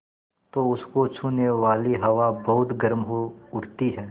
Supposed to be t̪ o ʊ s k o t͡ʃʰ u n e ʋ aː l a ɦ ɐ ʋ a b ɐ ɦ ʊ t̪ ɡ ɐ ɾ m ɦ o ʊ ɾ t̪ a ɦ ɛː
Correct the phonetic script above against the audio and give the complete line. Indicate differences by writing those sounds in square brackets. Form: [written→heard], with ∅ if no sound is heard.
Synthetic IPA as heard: t̪ o ʊ s k o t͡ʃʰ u n e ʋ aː l [a→i] ɦ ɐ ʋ a b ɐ ɦ ʊ t̪ ɡ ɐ ɾ m ɦ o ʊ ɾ t̪ [a→i] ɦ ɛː